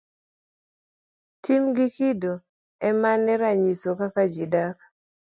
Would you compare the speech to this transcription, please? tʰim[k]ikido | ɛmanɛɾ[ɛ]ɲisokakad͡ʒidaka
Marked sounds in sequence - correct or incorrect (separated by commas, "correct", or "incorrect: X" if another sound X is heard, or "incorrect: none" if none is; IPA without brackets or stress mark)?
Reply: incorrect: ɡ, incorrect: a